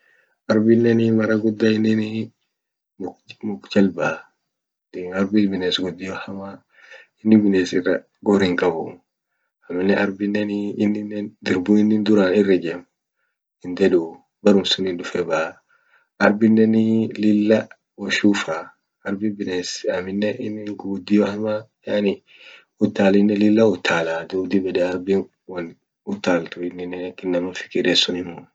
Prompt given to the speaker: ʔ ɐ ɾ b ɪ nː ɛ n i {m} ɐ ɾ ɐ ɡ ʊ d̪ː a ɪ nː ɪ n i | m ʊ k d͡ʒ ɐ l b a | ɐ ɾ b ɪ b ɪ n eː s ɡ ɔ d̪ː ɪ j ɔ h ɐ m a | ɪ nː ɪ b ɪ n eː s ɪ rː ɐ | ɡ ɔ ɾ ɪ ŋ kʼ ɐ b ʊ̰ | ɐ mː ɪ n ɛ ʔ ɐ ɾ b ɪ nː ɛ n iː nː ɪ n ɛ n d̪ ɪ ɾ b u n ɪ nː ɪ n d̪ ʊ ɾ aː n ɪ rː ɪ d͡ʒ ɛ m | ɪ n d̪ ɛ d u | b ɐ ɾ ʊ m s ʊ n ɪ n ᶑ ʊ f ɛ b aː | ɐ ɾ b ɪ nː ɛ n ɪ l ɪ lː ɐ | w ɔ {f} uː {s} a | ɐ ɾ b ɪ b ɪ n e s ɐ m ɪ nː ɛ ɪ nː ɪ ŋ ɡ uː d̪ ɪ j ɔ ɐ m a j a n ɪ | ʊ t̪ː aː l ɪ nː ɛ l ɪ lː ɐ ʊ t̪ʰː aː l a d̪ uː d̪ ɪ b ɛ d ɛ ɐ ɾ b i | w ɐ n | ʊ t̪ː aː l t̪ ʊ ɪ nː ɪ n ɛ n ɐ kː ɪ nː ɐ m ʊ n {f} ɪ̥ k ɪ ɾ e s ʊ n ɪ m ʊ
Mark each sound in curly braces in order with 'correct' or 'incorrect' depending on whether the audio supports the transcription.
correct, incorrect, incorrect, correct

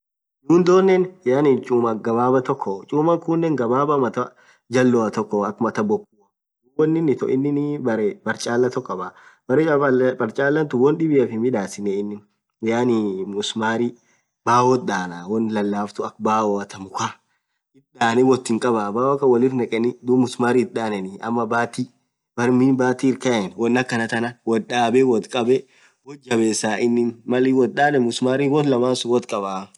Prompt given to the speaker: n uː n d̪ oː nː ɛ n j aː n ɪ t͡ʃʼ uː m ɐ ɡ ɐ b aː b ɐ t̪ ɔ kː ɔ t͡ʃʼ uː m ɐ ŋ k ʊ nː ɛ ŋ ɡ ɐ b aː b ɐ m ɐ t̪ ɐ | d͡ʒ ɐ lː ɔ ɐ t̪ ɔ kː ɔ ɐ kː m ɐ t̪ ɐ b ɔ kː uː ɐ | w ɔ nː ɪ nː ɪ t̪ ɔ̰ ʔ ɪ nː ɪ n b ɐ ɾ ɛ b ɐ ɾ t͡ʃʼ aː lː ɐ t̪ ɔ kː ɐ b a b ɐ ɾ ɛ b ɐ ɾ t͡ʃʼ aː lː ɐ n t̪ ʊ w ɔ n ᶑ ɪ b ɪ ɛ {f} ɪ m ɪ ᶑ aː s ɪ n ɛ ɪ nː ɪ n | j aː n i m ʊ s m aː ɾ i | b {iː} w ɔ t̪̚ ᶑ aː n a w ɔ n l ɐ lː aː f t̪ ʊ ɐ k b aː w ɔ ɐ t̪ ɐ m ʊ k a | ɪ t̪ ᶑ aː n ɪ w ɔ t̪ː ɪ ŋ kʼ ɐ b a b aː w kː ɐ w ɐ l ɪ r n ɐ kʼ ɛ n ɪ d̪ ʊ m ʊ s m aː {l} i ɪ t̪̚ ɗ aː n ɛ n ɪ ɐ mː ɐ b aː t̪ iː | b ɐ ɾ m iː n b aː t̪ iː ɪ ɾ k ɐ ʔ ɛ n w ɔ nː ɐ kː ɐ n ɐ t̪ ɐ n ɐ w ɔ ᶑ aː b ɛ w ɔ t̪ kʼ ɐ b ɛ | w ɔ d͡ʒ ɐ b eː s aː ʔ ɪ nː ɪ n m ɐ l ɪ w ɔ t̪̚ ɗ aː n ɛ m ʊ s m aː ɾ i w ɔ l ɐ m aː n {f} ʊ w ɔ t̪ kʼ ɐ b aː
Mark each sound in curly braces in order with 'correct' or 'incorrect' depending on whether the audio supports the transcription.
correct, incorrect, incorrect, incorrect

